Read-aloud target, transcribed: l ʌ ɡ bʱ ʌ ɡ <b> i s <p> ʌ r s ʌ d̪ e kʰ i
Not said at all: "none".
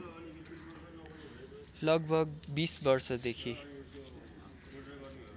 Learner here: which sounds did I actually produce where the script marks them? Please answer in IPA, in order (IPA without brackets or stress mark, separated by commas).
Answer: b, b